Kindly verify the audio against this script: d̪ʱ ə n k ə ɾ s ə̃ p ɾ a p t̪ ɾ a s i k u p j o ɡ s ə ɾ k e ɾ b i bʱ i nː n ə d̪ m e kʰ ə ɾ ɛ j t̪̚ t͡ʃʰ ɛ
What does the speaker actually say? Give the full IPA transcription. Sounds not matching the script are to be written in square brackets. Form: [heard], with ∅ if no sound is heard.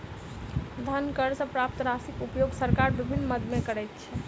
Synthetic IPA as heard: d̪ʱ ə n k ə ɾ s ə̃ p ɾ a p t̪ ɾ a s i k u p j o ɡ s ə ɾ k [a] ɾ b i bʱ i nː [m] ə d̪ m e [k] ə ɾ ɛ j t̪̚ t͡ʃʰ ɛ